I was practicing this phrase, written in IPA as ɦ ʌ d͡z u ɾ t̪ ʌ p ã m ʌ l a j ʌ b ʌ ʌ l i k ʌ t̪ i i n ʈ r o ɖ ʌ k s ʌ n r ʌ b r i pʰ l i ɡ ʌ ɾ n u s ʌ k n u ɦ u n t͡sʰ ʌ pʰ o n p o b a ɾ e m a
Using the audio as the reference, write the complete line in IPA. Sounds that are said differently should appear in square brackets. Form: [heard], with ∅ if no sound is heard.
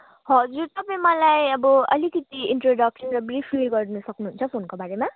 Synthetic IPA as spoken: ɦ ʌ d͡z u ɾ t̪ ʌ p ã m ʌ l a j ʌ b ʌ ʌ l i k ʌ t̪ i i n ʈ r o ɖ ʌ k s ʌ n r ʌ b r i pʰ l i ɡ ʌ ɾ n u s ʌ k n u ɦ u n t͡sʰ ʌ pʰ o n [k] o b a ɾ e m a

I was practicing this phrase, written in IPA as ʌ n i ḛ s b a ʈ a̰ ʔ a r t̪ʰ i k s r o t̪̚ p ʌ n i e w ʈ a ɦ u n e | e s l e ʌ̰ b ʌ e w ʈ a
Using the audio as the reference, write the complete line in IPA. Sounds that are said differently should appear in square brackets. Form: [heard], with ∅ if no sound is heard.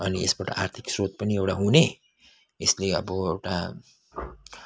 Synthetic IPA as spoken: ʌ n i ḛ s b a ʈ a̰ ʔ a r t̪ʰ i k s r o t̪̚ p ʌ n i e w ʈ a ɦ u n e | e s l e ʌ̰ b ʌ e w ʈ a

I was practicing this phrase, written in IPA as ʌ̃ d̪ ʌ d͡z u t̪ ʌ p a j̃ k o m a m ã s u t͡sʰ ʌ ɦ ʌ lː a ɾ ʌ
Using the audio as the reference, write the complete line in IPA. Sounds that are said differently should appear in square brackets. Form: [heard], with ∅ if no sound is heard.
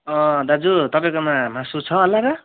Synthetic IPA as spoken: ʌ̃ d̪ [a] d͡z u t̪ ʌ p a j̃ k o m a m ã s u t͡sʰ ʌ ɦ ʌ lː a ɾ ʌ

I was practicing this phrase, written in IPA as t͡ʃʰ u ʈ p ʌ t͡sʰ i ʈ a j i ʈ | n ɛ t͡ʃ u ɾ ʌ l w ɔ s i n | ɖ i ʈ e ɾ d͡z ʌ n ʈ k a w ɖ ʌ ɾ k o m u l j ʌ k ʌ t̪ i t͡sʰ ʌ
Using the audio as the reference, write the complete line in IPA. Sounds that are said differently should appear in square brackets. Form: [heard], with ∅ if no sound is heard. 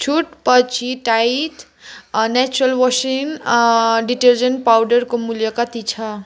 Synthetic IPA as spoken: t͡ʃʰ u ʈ p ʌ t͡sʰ i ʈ a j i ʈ | n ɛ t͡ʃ u ɾ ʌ l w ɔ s i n | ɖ i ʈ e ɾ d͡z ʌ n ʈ [p] a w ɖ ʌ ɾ k o m u l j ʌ k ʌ t̪ i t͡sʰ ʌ

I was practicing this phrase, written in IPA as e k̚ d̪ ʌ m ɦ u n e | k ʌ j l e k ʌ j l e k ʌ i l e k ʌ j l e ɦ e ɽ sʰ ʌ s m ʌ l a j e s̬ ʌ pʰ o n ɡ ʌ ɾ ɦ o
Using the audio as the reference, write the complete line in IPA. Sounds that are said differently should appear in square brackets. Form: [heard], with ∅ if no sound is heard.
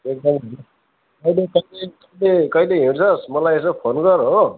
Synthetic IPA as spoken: e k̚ d̪ ʌ m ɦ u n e | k ʌ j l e k ʌ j l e k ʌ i l e k ʌ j l e ɦ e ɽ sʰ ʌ s m ʌ l a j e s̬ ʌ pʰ o n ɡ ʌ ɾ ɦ o

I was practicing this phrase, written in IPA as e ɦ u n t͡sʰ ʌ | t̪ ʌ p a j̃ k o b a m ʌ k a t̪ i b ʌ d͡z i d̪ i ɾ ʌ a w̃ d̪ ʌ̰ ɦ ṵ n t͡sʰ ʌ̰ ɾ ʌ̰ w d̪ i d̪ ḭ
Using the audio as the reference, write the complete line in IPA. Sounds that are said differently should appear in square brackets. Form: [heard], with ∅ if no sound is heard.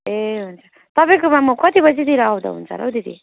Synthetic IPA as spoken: e ɦ u n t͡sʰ ʌ | t̪ ʌ p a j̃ k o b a m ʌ k [ʌ] t̪ i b ʌ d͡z i d̪ i ɾ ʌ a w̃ d̪ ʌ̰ ɦ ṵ n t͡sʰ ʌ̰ ɾ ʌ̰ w d̪ i d̪ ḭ

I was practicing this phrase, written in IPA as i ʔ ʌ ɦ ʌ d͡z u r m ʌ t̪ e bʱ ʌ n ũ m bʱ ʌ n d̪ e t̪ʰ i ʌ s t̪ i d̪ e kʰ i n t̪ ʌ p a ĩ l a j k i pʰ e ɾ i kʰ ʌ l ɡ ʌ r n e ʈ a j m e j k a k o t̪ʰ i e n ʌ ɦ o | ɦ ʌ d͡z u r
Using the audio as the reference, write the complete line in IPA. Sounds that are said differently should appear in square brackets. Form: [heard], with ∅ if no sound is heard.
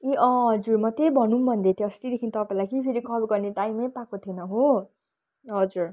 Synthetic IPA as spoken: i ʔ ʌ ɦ ʌ d͡z u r m ʌ t̪ e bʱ ʌ n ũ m bʱ ʌ n d̪ e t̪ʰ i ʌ s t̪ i d̪ e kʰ i n t̪ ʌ p a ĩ l a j k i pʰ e ɾ i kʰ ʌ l ɡ ʌ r n e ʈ a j m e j [p] a k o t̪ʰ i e n ʌ ɦ o | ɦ ʌ d͡z u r

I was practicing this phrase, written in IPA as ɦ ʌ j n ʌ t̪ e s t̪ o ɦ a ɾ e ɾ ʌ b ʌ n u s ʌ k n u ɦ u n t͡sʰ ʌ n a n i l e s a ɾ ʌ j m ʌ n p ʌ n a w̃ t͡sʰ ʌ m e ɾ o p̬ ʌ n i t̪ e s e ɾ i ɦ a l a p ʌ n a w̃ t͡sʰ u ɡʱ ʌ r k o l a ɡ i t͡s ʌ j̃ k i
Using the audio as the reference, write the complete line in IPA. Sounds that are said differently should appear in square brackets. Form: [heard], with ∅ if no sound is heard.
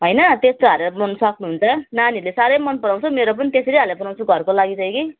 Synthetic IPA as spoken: ɦ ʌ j n ʌ t̪ e s t̪ o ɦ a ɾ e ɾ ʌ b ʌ n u s ʌ k n u ɦ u n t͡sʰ ʌ n a n i l e s a ɾ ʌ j m ʌ n p ʌ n a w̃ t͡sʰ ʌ m e ɾ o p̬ ʌ n i t̪ e s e ɾ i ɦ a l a p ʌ n a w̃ t͡sʰ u ɡʱ ʌ r k o l a ɡ i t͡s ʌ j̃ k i

